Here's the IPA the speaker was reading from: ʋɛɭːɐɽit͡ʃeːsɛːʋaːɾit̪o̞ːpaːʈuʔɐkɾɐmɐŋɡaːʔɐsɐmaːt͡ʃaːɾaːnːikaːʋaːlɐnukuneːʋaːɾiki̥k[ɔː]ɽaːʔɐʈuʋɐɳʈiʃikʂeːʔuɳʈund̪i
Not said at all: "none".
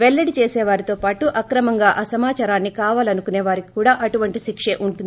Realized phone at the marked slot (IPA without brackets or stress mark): uː